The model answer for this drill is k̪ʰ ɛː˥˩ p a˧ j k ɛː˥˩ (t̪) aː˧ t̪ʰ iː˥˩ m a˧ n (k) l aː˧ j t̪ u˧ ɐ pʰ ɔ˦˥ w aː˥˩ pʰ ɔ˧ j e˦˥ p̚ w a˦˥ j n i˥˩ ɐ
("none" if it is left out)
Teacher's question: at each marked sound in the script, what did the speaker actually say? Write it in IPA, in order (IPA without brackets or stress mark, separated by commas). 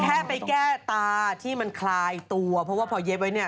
t̪, kʰ